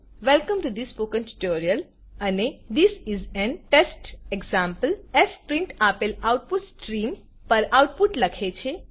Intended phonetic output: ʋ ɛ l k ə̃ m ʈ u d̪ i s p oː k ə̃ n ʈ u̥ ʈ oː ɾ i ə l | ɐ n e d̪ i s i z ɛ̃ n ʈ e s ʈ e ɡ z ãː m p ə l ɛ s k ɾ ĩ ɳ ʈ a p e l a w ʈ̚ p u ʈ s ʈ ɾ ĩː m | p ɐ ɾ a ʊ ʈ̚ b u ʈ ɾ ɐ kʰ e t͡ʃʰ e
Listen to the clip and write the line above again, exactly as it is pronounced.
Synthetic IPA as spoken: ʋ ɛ l k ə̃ m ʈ u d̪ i s p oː k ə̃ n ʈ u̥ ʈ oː ɾ i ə l | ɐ n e d̪ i s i z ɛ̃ n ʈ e s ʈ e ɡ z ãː m p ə l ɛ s p ɾ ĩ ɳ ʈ a p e l a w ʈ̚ p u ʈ s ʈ ɾ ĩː m | p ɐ ɾ a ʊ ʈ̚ p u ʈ l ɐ kʰ e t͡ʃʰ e